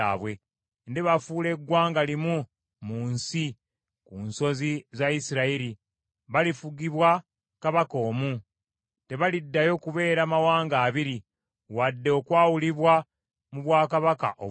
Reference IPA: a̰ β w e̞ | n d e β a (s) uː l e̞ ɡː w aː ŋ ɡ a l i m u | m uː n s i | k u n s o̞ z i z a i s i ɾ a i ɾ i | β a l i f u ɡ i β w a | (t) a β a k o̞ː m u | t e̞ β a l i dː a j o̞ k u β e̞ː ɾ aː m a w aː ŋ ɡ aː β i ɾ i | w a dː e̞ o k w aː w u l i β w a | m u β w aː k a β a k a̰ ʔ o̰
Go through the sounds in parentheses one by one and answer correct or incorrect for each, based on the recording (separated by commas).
incorrect, incorrect